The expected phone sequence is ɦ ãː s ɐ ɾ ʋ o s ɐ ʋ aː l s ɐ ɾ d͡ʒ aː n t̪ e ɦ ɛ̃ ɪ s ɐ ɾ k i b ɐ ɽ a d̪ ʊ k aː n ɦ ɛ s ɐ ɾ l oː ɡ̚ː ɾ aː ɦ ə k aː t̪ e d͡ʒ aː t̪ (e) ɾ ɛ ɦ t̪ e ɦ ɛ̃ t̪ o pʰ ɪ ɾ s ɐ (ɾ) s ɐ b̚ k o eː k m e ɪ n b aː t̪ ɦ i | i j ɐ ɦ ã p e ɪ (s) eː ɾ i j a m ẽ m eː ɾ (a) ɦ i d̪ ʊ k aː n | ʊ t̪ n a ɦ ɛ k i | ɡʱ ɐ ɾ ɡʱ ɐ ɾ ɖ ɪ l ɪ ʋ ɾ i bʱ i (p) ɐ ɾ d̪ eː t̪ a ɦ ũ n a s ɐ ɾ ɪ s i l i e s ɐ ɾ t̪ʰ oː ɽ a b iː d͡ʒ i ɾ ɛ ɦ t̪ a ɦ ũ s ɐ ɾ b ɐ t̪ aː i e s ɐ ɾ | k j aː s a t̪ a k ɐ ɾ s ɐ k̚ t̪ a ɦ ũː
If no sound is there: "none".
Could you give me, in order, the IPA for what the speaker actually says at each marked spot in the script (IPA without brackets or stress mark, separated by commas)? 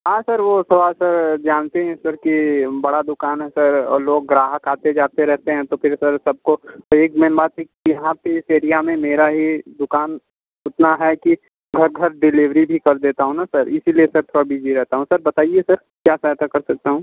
e, ɾ, s, a, k